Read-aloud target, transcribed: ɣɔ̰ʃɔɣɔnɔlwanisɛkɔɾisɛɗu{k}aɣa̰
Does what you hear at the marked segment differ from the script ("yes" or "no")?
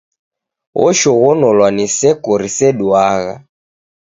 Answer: yes